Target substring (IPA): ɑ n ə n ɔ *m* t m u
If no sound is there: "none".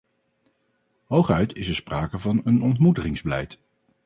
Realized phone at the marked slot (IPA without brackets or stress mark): n